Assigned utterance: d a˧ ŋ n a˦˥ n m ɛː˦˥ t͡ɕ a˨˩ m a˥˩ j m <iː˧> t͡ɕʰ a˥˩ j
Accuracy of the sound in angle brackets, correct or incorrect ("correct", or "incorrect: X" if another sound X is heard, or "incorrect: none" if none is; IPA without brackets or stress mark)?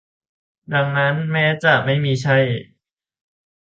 correct